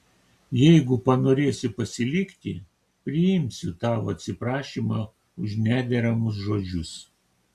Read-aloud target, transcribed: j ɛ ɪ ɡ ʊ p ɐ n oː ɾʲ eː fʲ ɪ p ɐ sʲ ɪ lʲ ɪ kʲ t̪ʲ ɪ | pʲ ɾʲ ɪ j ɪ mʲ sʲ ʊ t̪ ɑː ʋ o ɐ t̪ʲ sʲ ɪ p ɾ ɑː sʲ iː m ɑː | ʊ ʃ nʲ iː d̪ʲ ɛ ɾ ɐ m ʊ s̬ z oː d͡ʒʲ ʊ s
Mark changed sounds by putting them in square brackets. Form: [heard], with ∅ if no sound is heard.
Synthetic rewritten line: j ɛ ɪ ɡ ʊ p ɐ n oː ɾʲ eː [sʲ] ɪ p ɐ sʲ ɪ lʲ ɪ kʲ t̪ʲ ɪ | pʲ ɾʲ ɪ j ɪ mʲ sʲ ʊ t̪ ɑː ʋ o ɐ t̪ʲ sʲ ɪ p ɾ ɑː [ʃʲ] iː m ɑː | ʊ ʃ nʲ [æː] d̪ʲ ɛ ɾ ɐ m ʊ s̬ [ʒ] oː d͡ʒʲ ʊ s